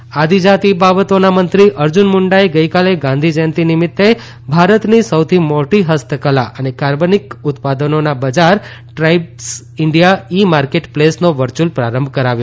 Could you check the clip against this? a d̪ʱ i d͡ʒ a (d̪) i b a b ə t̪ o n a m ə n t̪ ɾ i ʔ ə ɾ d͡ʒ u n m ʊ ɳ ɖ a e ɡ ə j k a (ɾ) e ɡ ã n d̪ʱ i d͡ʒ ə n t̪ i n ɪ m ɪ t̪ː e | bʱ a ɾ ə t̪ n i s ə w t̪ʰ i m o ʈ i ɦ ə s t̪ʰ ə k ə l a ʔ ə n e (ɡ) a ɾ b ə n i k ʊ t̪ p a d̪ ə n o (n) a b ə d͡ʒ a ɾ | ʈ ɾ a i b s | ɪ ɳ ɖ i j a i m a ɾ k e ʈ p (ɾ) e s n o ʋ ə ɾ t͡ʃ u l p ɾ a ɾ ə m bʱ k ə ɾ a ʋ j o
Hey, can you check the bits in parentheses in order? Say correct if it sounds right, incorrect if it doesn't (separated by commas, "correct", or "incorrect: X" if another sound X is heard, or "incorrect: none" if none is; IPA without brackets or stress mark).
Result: incorrect: t̪, incorrect: l, incorrect: k, correct, incorrect: l